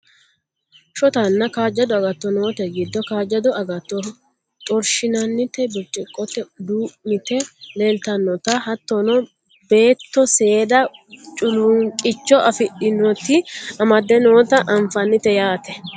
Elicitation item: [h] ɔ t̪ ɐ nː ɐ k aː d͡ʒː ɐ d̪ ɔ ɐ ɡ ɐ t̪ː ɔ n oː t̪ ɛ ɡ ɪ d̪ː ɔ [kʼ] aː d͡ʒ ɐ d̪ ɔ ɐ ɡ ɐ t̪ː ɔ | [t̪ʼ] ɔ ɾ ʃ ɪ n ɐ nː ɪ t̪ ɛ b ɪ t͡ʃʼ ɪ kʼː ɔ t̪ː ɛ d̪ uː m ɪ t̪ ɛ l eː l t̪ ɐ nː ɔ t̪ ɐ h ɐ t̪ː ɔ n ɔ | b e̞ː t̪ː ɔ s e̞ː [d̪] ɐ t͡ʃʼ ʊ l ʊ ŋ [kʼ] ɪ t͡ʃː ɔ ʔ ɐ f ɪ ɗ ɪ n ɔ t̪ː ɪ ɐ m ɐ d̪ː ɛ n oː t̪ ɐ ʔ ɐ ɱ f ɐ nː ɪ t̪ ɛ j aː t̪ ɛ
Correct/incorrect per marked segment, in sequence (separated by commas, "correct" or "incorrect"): incorrect, incorrect, correct, correct, correct